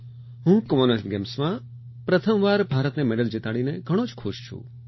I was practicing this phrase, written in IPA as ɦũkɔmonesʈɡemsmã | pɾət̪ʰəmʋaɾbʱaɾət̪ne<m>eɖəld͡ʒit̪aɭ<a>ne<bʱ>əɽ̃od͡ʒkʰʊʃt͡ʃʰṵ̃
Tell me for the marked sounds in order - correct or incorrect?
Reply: correct, incorrect, incorrect

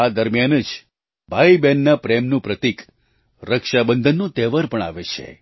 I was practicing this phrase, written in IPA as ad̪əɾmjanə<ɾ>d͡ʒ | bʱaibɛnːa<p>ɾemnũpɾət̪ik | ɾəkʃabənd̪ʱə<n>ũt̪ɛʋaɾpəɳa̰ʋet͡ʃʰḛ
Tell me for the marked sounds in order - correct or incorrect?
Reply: incorrect, correct, incorrect

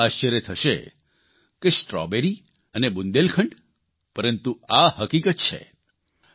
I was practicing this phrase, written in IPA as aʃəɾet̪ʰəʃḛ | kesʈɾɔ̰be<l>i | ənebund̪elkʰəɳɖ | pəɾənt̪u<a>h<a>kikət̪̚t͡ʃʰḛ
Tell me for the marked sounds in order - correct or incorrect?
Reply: incorrect, correct, incorrect

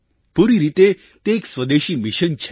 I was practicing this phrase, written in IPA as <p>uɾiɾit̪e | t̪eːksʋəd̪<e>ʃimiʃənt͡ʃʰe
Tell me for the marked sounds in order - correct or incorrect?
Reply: correct, correct

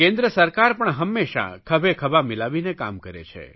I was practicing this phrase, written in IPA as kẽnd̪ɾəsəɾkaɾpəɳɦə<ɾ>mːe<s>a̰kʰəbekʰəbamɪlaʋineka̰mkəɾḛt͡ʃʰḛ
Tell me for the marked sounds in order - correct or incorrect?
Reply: incorrect, incorrect

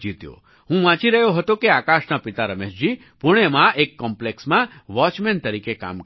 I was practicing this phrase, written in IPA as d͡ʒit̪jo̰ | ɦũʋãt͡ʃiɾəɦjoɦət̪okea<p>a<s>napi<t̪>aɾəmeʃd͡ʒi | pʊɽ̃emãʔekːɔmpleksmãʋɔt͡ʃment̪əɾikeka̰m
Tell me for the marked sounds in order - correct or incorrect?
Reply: incorrect, incorrect, correct

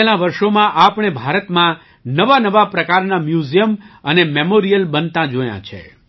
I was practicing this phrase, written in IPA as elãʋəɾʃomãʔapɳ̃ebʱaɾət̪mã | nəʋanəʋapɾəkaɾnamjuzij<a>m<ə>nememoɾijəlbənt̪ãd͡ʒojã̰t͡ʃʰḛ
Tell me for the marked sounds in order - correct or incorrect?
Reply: incorrect, correct

